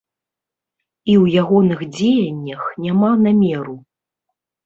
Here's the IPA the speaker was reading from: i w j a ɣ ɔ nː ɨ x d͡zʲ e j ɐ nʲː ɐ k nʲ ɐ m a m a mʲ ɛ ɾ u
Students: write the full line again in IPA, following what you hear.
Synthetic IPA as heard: i w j a ɣ ɔ n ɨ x d͡zʲ e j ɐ nʲː ɐ x nʲ a m a n a mʲ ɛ ɾ u